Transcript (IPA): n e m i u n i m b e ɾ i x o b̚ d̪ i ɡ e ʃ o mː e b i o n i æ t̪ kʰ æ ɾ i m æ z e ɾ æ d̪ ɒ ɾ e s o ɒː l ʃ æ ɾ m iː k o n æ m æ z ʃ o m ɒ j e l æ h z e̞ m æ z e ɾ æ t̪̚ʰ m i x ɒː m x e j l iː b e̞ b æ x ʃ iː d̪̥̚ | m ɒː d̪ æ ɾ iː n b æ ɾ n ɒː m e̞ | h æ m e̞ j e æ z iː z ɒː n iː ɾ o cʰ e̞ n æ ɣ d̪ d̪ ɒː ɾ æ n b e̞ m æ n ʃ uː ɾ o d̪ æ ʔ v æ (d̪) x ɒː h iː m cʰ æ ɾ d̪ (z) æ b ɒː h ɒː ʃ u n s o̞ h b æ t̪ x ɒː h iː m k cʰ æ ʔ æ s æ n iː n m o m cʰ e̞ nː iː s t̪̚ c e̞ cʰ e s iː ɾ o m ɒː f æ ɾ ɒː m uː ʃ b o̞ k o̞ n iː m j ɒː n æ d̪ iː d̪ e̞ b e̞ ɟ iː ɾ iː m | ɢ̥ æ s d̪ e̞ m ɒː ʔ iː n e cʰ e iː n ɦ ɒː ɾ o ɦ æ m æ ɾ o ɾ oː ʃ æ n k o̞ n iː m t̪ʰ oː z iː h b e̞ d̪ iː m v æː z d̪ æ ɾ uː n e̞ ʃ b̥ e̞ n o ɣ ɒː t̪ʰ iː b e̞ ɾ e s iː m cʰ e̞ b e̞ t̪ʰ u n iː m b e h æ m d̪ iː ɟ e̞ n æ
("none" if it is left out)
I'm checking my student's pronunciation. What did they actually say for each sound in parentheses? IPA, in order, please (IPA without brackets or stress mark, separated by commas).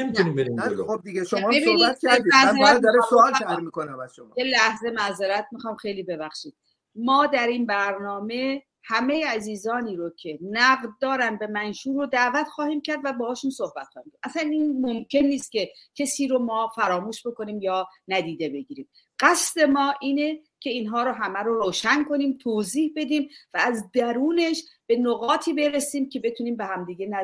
t̪, v